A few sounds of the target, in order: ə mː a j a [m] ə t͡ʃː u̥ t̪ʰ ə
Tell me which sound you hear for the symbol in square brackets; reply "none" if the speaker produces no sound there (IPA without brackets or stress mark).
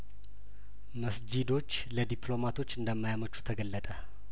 m